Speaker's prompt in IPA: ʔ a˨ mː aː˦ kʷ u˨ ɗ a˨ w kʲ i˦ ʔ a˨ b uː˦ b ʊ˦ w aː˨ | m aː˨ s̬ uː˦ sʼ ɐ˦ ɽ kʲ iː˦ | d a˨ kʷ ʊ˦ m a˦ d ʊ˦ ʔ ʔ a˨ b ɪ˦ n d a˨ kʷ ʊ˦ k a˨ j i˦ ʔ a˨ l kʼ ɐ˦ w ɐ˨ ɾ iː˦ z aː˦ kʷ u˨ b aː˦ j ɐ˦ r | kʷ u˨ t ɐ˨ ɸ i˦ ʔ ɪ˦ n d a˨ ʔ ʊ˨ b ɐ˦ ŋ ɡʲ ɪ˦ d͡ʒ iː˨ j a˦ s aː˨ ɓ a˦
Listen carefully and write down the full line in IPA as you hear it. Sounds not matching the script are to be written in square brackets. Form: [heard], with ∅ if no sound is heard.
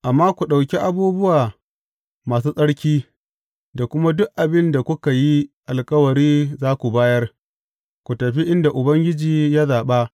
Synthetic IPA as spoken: ʔ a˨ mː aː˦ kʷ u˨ ɗ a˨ w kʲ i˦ ʔ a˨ b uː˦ b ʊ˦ w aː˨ | m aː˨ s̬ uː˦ sʼ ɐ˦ ɽ kʲ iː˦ | d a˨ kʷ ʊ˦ m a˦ d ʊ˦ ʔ ʔ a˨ b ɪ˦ n d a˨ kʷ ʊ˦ k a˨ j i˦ ʔ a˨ l kʼ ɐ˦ w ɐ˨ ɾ iː˦ z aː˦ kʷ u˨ b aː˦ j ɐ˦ r | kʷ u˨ t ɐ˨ ɸ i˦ ʔ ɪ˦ n d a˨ ʔ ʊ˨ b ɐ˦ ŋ ɡʲ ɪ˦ d͡ʒ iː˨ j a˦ [z] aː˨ ɓ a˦

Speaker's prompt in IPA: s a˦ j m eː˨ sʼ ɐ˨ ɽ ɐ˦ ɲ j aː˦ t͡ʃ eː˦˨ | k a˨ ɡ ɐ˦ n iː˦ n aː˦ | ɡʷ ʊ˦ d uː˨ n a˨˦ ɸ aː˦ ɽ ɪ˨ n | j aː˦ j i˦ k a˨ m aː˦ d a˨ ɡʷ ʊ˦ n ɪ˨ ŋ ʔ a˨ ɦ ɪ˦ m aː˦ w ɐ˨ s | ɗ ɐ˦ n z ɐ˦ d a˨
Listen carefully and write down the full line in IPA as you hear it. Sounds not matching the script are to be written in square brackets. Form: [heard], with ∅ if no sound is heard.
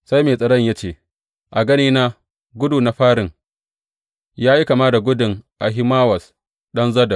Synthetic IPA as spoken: s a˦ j m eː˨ sʼ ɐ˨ ɽ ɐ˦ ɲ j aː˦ t͡ʃ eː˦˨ | [ʔ] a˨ ɡ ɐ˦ n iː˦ n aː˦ | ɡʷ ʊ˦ d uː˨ n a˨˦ ɸ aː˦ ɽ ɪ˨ [ŋ] | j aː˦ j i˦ k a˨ m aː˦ d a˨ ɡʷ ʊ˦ [d] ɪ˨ ŋ ʔ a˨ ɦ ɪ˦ m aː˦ w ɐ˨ s | ɗ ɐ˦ n z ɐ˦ d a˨

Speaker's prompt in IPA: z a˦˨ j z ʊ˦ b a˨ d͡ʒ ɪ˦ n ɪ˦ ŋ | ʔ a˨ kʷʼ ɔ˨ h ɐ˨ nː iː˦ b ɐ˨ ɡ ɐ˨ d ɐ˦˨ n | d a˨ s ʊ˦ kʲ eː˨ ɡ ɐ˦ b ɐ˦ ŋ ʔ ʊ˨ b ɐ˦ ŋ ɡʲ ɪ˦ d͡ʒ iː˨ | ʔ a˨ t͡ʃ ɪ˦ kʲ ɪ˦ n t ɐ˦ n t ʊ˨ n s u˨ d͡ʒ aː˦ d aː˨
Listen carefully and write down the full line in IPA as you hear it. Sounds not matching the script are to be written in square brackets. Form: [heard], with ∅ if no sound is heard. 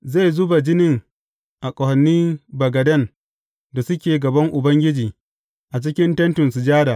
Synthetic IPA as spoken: z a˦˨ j z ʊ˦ b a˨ d͡ʒ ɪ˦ n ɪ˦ ŋ | ʔ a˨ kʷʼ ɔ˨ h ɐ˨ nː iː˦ b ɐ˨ ɡ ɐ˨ d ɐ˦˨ n | d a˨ s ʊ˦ kʲ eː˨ ɡ [ɐ˨] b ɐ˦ ŋ ʔ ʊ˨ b ɐ˦ ŋ ɡʲ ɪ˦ d͡ʒ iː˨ | ʔ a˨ t͡ʃ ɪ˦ kʲ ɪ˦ n t ɐ˦ n t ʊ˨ n s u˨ d͡ʒ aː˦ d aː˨

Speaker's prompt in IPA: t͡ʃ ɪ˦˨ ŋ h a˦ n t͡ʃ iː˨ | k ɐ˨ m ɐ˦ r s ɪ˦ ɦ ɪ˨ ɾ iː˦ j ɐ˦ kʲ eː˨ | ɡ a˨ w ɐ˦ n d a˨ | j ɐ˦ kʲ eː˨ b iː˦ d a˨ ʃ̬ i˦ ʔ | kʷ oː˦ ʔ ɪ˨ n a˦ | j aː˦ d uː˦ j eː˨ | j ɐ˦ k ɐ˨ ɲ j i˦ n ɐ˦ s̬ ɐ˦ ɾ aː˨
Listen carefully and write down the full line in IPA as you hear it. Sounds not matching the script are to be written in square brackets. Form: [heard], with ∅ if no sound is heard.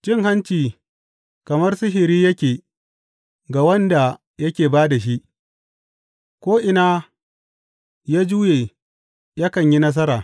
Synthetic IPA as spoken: t͡ʃ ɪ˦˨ ŋ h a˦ n t͡ʃ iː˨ | k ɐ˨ m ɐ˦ r s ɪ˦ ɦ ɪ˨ ɾ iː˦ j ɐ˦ kʲ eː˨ | ɡ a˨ w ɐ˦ n d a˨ | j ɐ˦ kʲ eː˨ b [aː˦] d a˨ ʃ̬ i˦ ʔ | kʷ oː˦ ʔ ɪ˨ n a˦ | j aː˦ [d͡ʒ] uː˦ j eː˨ | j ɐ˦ k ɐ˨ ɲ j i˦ n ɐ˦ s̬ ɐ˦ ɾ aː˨

